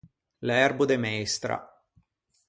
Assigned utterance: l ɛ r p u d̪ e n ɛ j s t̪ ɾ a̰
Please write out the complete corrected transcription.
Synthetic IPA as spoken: l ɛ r b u d̪ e m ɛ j s t̪ ɾ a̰